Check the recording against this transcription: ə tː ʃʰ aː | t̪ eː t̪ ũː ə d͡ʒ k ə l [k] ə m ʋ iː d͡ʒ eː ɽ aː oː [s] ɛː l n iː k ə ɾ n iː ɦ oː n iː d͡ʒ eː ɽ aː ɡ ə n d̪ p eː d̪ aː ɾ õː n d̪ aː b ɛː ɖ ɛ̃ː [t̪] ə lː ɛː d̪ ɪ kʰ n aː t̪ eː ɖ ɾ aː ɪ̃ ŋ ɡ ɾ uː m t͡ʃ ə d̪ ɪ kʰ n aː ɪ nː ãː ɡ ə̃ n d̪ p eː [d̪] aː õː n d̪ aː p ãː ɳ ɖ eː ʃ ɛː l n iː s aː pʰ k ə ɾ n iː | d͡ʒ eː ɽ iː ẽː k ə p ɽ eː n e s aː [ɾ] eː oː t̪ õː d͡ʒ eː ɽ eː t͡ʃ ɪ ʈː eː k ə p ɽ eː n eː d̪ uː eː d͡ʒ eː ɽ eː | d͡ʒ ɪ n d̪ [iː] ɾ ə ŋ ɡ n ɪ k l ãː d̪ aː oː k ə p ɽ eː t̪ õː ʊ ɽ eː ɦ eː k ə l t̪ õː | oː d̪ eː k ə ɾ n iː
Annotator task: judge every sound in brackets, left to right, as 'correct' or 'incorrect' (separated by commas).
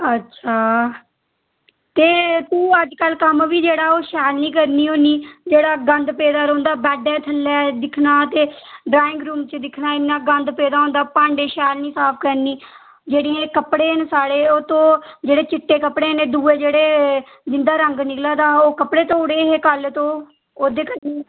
correct, incorrect, incorrect, correct, incorrect, incorrect